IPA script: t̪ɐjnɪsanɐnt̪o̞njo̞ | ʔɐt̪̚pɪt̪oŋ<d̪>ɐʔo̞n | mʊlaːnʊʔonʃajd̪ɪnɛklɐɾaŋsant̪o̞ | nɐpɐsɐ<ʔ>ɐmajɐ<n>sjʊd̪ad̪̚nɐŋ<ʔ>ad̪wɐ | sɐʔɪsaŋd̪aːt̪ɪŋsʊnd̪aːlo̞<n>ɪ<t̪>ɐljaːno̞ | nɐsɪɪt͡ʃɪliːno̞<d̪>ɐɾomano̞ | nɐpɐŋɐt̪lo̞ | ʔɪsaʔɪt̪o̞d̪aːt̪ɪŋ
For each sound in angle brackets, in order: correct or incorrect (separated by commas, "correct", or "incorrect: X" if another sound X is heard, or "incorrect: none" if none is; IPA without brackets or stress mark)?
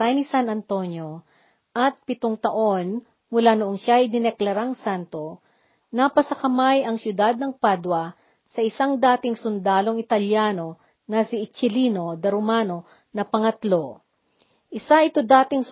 incorrect: t̪, incorrect: k, incorrect: ŋ, incorrect: p, incorrect: ŋ, correct, correct